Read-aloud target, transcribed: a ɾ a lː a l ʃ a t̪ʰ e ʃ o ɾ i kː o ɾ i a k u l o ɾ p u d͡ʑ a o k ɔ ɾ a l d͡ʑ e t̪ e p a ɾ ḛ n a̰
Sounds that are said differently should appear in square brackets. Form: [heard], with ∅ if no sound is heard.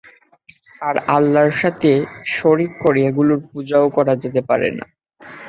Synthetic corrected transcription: a ɾ a lː a [ɾ] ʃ a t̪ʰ e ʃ o ɾ i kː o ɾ i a [ɡ] u l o ɾ p u d͡ʑ a o k ɔ ɾ a [∅] d͡ʑ e t̪ e p a ɾ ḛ n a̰